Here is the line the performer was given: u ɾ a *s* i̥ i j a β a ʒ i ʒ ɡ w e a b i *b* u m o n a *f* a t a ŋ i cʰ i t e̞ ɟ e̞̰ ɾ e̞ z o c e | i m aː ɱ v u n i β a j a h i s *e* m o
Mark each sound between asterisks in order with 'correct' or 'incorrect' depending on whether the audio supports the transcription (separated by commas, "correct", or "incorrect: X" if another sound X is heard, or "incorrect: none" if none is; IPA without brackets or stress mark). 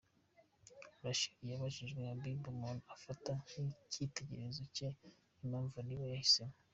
incorrect: ʃ, correct, correct, correct